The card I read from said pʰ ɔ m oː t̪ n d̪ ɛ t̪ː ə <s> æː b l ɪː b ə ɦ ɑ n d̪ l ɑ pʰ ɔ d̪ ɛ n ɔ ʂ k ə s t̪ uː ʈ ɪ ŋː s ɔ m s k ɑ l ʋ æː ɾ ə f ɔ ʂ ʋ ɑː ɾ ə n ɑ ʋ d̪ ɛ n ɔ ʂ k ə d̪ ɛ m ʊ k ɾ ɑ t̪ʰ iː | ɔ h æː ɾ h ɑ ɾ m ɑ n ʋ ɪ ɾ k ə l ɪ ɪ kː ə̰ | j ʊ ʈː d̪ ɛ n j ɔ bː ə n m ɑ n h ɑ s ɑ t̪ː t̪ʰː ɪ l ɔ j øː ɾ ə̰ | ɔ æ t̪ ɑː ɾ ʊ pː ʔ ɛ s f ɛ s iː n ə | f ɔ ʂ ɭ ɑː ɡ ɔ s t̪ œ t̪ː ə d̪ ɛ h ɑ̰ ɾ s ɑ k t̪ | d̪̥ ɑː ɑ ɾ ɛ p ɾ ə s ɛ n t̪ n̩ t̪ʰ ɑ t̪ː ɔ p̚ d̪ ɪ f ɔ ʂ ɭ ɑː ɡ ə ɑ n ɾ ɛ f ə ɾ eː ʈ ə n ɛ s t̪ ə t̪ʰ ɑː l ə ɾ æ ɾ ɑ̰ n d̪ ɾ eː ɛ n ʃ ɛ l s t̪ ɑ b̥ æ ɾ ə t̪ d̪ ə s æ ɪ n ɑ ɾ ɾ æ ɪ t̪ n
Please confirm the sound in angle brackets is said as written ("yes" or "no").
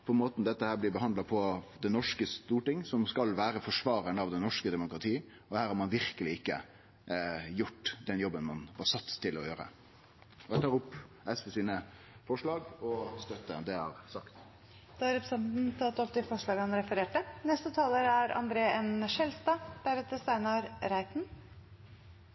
no